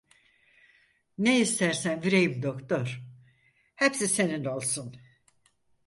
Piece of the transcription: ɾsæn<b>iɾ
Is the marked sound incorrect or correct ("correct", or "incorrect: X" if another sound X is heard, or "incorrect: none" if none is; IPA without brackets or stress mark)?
incorrect: v